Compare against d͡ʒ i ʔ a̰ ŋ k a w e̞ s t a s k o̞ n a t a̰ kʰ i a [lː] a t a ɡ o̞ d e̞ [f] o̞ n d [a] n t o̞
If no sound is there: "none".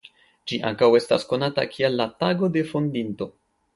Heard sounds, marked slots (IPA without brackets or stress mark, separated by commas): lː, f, i